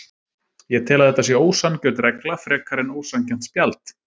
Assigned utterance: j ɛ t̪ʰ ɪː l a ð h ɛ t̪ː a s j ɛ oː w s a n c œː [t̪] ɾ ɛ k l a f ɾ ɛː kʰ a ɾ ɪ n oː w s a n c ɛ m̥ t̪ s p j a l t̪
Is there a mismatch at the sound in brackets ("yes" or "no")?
no